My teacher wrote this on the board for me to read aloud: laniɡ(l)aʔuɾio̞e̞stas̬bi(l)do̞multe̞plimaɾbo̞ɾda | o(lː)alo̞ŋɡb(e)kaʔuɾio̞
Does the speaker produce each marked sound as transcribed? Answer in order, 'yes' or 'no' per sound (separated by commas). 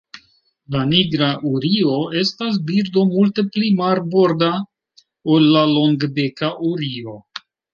no, no, yes, yes